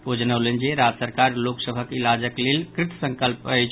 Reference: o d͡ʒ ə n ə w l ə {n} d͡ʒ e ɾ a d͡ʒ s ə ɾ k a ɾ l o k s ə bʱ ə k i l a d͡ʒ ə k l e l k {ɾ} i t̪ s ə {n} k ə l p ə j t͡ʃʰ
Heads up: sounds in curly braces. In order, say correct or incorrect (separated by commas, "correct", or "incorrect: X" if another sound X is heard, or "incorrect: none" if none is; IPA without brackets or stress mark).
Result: correct, correct, incorrect: ŋ